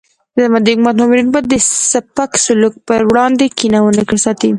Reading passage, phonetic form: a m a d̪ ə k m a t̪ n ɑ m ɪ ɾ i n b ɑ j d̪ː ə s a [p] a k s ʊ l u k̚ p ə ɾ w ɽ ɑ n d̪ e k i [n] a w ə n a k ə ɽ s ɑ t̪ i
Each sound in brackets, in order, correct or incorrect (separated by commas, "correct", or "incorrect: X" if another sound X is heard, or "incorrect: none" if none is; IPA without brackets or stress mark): correct, correct